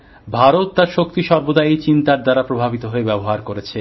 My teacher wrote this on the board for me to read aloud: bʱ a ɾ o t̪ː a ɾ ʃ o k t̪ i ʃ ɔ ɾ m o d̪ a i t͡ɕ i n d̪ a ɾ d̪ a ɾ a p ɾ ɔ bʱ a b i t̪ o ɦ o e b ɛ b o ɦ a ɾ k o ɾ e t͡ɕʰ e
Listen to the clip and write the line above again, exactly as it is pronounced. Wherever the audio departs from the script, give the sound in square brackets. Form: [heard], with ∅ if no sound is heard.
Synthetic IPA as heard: bʱ a ɾ o t̪ː a ɾ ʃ o k t̪ i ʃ ɔ ɾ [b] o d̪ a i t͡ɕ i n [t̪] a ɾ d̪ a ɾ a p ɾ [o] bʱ a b i t̪ o ɦ o e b ɛ b o ɦ a ɾ k o ɾ e t͡ɕʰ e